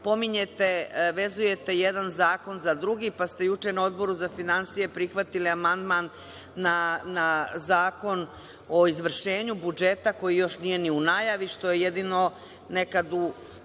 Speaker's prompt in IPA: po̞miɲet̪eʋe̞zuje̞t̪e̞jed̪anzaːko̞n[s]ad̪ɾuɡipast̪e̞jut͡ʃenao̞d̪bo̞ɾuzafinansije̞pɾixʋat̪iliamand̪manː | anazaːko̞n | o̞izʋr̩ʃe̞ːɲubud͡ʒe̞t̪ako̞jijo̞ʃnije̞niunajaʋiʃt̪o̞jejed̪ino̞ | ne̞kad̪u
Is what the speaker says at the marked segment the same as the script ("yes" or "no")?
no